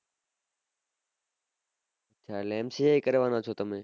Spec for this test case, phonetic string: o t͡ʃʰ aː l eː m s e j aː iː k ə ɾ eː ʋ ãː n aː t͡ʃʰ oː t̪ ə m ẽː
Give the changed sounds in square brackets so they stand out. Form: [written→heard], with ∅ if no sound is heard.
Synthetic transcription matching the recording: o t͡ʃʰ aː l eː m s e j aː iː k ə ɾ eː ʋ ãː n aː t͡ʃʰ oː t̪ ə m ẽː